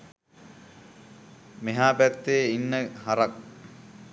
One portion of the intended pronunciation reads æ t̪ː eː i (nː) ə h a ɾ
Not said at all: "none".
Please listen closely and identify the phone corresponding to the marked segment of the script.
nː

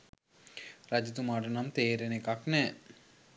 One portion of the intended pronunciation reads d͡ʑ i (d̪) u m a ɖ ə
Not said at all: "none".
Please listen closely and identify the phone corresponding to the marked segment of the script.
t̪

